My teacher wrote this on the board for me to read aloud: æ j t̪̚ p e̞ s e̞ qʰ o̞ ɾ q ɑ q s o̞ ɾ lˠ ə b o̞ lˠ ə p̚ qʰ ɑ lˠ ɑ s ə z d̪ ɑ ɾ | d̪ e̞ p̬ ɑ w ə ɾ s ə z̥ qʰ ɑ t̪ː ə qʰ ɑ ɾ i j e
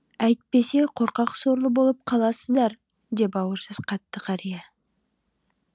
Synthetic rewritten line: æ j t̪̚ p e̞ s e̞ qʰ o̞ ɾ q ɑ q s o̞ ɾ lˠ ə b o̞ lˠ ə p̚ qʰ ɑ lˠ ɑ s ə z d̪ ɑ ɾ | d̪ e̞ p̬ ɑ w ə ɾ s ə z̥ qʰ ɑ t̪ː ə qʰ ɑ ɾ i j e